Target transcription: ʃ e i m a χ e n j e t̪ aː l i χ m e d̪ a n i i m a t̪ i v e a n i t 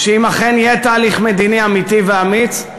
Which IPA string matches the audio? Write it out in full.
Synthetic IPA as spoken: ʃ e i m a χ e n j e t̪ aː l i χ m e d̪ i n i a m i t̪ i v e a m i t